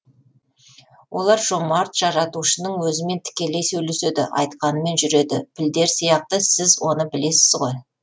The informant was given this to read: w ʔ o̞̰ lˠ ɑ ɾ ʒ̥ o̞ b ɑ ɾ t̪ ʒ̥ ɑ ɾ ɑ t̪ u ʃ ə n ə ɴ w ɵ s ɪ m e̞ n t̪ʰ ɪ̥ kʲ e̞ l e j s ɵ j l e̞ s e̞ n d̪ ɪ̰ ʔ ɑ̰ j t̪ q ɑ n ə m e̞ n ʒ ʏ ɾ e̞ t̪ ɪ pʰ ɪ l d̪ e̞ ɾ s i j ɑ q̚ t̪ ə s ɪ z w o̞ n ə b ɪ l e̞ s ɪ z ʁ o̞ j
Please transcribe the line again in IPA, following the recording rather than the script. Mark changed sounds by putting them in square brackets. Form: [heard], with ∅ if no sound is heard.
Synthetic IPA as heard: w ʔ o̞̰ lˠ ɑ ɾ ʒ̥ o̞ [m] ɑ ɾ t̪ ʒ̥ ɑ ɾ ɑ t̪ u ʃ ə n ə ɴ w ɵ [z] ɪ m e̞ n t̪ʰ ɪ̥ kʲ e̞ l e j s ɵ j l e̞ s e̞ [∅] d̪ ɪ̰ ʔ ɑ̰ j t̪ q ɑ n ə m e̞ n ʒ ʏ ɾ e̞ [d̪] ɪ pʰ ɪ l d̪ e̞ ɾ s i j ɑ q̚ t̪ ə s ɪ z w o̞ n ə b ɪ l e̞ s ɪ z ʁ o̞ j